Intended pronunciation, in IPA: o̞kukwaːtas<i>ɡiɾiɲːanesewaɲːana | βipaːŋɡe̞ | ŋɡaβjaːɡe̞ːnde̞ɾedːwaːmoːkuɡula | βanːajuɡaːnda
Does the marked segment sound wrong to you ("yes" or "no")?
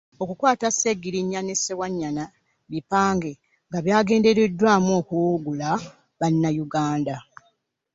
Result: yes